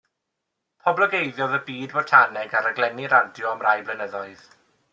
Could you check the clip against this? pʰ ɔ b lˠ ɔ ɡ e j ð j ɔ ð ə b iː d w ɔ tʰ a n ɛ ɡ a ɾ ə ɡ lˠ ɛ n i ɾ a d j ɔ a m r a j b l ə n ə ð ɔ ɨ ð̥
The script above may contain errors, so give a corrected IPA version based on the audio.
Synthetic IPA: pʰ ɔ b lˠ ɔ ɡ e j ð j ɔ ð ə b iː d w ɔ tʰ a n ɛ ɡ a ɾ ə ɡ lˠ ɛ n i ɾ a d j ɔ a m r a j b l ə n ə ð ɔ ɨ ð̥